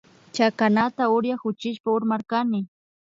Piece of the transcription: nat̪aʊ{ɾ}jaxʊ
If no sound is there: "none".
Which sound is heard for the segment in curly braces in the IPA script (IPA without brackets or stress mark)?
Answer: ɾ